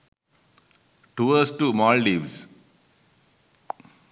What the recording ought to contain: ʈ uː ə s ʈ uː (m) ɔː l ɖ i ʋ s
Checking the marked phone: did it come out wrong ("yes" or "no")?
no